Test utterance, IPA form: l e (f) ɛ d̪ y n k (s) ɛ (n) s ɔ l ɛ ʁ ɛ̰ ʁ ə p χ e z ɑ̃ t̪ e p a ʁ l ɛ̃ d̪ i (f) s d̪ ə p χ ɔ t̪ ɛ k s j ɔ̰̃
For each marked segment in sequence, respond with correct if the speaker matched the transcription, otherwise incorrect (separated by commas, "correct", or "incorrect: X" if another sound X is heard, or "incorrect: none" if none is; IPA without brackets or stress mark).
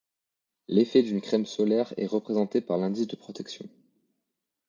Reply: correct, incorrect: χ, incorrect: m, incorrect: none